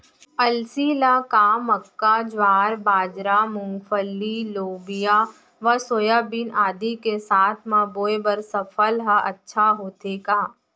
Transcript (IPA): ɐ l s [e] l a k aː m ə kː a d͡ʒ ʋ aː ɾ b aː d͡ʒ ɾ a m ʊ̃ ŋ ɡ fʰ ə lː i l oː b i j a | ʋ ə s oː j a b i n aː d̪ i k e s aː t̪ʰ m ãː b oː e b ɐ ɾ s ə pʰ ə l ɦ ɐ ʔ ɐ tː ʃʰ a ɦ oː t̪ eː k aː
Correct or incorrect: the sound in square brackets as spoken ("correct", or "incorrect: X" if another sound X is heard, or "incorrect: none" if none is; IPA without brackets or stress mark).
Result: incorrect: i